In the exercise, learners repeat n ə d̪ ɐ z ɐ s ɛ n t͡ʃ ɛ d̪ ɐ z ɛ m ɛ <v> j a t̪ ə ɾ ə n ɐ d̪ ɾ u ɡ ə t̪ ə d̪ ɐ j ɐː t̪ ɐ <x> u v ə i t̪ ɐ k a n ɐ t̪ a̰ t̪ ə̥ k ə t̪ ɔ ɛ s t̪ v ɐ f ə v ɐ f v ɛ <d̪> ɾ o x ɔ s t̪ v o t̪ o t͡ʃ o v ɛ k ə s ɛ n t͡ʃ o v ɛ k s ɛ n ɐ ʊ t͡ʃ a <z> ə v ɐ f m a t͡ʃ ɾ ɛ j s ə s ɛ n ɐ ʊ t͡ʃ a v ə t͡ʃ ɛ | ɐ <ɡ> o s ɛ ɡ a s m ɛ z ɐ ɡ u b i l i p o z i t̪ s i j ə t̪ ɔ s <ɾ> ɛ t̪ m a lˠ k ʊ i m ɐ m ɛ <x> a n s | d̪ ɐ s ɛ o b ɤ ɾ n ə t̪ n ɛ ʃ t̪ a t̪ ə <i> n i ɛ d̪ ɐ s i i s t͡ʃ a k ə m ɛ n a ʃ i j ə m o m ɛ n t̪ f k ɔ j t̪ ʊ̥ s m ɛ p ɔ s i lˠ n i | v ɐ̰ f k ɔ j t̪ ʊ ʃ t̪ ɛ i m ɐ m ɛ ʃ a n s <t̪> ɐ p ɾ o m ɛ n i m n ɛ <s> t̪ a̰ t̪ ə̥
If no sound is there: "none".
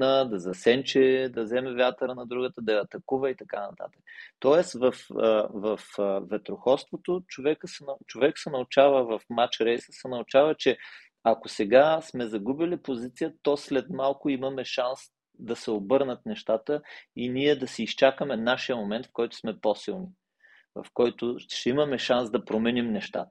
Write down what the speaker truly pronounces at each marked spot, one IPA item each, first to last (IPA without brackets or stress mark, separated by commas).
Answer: v, k, t̪, v, k, l, ʃ, i, d̪, ʃ